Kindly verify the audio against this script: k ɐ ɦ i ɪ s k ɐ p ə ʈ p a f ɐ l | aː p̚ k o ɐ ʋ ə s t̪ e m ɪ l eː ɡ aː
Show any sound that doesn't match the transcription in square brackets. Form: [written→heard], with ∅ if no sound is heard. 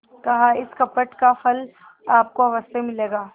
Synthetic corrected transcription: k ɐ ɦ [i→a] ɪ s k ɐ p ə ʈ [p→k] a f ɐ l | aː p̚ k o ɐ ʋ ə s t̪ e m ɪ l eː ɡ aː